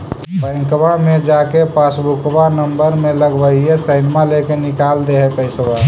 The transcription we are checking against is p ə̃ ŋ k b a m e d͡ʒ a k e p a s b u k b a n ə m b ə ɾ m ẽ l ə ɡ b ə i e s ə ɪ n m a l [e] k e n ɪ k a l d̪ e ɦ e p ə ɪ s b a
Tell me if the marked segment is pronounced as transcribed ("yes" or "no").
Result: yes